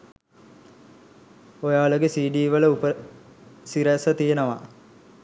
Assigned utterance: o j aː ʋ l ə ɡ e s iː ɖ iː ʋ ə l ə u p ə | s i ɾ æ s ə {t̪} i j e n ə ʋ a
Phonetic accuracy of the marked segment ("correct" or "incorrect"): correct